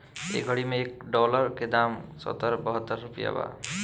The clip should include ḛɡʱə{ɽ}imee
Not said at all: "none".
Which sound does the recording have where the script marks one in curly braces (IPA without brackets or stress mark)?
ɽ